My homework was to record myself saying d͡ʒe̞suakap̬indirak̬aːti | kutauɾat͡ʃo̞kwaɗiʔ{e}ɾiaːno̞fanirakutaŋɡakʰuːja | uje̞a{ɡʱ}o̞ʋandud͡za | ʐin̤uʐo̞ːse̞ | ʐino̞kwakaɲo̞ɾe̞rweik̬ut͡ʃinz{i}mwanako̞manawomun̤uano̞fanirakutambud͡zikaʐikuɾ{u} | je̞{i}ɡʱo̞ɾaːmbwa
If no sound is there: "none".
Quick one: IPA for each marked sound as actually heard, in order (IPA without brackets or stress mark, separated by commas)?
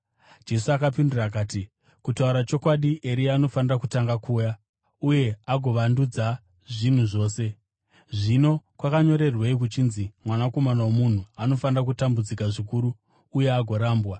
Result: e, ɡʱ, i, uː, a